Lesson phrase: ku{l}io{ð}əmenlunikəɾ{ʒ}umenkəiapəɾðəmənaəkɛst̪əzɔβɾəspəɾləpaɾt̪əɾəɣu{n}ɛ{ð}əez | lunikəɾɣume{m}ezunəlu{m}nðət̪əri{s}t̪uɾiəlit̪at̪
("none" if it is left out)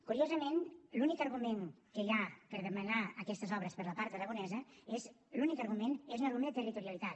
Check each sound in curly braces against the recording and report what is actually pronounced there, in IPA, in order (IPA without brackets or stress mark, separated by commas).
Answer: ɾ, z, ɣ, n, z, n, m, none